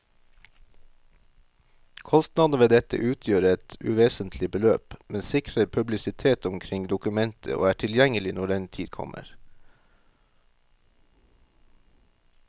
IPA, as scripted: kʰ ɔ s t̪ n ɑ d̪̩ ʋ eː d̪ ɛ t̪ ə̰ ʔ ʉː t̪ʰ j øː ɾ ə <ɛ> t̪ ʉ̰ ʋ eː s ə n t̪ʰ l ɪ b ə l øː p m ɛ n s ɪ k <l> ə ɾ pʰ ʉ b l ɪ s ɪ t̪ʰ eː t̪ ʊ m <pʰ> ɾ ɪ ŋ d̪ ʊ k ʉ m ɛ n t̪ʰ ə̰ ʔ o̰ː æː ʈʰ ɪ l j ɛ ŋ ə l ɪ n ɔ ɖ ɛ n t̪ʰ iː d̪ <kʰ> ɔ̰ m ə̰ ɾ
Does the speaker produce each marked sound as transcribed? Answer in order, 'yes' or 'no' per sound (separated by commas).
yes, no, no, yes